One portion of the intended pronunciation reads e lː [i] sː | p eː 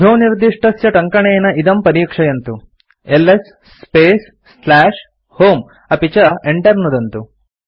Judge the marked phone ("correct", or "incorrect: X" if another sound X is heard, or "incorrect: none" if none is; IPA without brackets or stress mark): incorrect: e